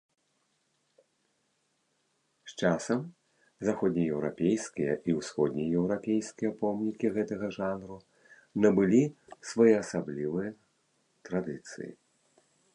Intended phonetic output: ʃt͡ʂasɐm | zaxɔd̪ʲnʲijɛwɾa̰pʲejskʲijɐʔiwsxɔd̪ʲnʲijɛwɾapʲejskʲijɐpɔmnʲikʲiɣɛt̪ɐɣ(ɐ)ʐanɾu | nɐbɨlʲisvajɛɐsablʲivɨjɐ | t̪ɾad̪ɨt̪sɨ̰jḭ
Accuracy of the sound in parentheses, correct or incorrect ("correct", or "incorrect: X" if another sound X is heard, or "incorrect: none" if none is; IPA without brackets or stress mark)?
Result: correct